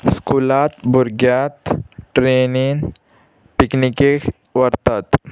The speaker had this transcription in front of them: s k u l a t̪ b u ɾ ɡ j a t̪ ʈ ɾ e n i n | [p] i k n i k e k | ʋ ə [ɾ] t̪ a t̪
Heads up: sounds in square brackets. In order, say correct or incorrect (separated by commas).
correct, correct